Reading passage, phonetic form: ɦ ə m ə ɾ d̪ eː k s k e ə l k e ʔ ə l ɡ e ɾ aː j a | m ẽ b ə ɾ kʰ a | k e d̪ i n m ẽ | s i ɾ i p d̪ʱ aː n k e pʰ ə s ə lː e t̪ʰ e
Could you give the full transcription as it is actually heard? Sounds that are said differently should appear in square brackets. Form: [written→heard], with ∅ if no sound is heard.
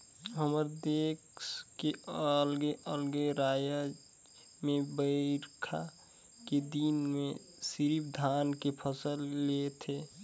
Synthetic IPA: ɦ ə m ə ɾ d̪ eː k s k e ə l [k→ɡ] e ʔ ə l ɡ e ɾ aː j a | m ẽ b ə ɾ kʰ a | k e d̪ i n m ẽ | s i ɾ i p d̪ʱ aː n k e pʰ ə s ə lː e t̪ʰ e